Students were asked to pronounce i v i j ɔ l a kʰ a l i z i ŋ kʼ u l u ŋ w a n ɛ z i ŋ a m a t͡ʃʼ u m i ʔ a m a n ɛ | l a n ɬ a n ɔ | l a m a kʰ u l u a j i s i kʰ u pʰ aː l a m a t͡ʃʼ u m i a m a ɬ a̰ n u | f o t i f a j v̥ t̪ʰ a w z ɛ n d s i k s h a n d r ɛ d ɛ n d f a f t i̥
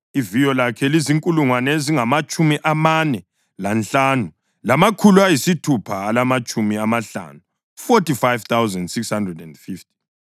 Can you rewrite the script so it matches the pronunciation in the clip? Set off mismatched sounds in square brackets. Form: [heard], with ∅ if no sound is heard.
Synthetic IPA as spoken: i v i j ɔ l a kʰ [ɛ] l i z i ŋ kʼ u l u ŋ w a n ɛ z i ŋ a m a t͡ʃʼ u m i ʔ a m a n ɛ | l a n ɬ a n [u] | l a m a kʰ u l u a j i s i [tʰ] u pʰ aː l a m a t͡ʃʼ u m i a m a ɬ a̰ n u | f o t i f a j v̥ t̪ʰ a w z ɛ n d s i k s h a n d r ɛ d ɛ n d f [i] f t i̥

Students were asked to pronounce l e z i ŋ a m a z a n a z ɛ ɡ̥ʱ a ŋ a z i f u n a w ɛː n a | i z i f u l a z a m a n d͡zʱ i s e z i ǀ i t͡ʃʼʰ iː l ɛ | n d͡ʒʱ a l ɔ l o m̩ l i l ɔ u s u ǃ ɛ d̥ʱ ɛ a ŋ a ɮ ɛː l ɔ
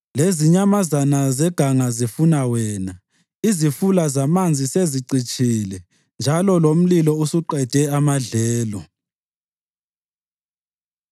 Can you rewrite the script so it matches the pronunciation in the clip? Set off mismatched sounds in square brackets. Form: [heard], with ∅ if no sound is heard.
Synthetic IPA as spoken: l e z i [ɲ] a m a z a n a z ɛ ɡ̥ʱ a ŋ a z i f u n a w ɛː n a | i z i f u l a z a m a n d͡zʱ i s e z i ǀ i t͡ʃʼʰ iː l ɛ | n d͡ʒʱ a l ɔ l o m̩ l i l ɔ u s u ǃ ɛ d̥ʱ ɛ a [m] a ɮ ɛː l ɔ

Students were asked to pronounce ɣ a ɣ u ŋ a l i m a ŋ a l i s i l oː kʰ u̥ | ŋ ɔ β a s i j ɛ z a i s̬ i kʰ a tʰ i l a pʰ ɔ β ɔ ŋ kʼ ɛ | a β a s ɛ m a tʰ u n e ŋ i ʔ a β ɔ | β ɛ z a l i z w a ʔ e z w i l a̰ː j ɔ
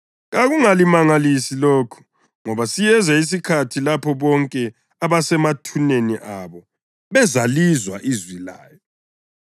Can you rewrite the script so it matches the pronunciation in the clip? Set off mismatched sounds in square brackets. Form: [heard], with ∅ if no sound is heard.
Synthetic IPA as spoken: ɣ a ɣ u ŋ a l i m a ŋ a l i s i l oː kʰ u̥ | ŋ ɔ β a s i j ɛ z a i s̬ i kʰ a tʰ i l a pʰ ɔ β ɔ ŋ kʼ ɛ | a β a s ɛ m a tʰ u n e [n] i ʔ a β ɔ | β ɛ z a l i z w a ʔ [i] z w i l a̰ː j ɔ

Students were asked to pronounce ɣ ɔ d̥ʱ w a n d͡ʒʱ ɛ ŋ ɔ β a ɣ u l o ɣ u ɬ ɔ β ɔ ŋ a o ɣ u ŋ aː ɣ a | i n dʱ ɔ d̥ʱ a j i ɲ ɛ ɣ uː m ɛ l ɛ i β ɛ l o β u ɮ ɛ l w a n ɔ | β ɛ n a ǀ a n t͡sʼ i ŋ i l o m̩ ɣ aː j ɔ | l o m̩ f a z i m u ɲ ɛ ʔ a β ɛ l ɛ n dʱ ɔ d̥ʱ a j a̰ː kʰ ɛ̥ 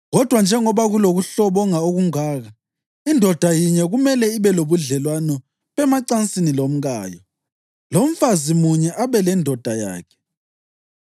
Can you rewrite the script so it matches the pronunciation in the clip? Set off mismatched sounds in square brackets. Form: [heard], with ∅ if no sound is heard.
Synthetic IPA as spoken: ɣ ɔ d̥ʱ w a n d͡ʒʱ ɛ ŋ ɔ β a ɣ u l o ɣ u ɬ ɔ β ɔ ŋ a o ɣ u ŋ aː ɣ a | i n dʱ ɔ d̥ʱ a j i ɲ ɛ ɣ [u] m ɛ l ɛ i β ɛ l o β u ɮ ɛ l w a n ɔ | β ɛ [m] a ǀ a n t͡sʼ i [n] i l o m̩ ɣ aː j ɔ | l o m̩ f a z i m u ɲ ɛ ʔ a β ɛ l ɛ n dʱ ɔ d̥ʱ a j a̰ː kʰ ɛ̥

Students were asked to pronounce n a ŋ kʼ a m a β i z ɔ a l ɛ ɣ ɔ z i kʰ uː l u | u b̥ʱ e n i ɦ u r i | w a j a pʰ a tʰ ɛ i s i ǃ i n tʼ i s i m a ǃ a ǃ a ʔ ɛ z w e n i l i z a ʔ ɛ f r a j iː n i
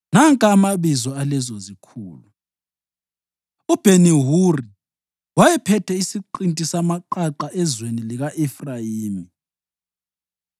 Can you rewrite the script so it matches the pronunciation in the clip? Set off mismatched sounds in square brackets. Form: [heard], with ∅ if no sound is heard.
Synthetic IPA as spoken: n a ŋ kʼ a m a β i z ɔ a l ɛ [z] ɔ z i kʰ uː l u | u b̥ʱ e n i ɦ u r i | w a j [ɛ] pʰ [ɛ] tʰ ɛ i s i ǃ i n tʼ i s [a] m a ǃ a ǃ a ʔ ɛ z w e n i l i [ɣ] a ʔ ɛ f r a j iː [m] i

